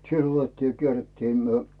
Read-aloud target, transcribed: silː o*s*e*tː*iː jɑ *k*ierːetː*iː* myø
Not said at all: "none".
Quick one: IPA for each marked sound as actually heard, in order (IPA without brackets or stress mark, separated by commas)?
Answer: t, tː, k, iː